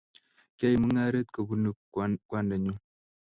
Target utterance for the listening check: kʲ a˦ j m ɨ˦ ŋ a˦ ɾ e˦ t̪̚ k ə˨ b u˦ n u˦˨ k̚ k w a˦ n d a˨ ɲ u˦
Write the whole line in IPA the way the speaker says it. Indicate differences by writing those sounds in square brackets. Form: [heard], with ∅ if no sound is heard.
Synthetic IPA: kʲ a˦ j m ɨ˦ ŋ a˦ ɾ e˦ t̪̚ k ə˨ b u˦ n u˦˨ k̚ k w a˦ n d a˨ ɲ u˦